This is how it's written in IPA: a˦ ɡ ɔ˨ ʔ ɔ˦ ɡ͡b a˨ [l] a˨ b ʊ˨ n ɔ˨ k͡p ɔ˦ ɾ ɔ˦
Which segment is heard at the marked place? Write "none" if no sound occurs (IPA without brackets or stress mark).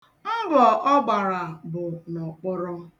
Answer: ɾ